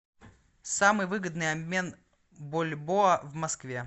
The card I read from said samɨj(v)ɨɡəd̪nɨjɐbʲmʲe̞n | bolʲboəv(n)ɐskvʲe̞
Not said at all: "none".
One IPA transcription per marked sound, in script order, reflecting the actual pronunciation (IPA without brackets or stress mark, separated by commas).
v, m